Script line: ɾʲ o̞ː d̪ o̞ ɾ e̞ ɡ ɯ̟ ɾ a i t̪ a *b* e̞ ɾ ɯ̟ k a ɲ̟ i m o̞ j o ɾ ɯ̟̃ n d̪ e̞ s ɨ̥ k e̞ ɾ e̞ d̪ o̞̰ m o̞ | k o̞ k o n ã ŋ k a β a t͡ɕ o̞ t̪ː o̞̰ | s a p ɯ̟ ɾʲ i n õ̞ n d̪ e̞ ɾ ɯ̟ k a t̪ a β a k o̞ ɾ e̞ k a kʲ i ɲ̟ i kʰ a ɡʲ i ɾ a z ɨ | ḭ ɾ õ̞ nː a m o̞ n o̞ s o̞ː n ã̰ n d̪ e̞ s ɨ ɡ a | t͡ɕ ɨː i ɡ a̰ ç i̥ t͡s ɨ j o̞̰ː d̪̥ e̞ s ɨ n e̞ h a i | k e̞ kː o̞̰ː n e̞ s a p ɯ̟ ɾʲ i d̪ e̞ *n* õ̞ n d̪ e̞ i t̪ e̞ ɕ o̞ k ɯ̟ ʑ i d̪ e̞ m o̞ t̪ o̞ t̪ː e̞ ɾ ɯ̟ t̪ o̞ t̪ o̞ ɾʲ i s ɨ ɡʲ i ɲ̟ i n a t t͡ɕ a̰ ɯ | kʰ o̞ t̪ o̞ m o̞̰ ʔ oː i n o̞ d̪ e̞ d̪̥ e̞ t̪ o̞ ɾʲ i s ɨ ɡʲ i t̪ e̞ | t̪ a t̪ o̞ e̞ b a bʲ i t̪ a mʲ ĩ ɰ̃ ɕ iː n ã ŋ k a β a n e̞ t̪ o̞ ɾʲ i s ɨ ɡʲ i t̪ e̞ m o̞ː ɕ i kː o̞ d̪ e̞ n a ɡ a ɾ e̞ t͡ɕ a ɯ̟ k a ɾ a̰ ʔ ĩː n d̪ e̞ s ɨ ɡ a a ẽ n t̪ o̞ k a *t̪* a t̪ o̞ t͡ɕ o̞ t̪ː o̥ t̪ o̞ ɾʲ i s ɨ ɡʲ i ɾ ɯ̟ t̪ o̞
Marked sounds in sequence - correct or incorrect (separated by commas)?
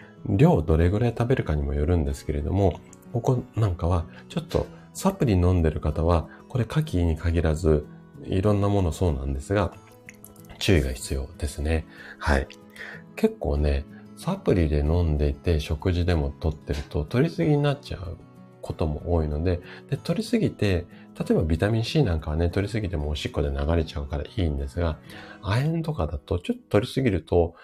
correct, correct, incorrect